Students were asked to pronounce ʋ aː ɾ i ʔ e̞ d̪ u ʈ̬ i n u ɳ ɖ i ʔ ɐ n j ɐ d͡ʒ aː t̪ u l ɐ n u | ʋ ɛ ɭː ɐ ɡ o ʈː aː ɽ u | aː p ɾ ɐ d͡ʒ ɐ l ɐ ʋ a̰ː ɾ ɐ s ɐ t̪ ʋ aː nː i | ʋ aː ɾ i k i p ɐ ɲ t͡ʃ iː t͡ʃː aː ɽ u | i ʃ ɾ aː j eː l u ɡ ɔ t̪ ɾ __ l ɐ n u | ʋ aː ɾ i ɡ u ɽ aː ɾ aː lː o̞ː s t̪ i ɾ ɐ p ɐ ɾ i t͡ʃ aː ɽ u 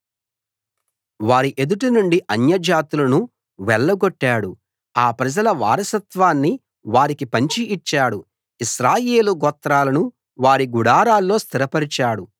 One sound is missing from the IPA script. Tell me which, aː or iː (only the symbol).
aː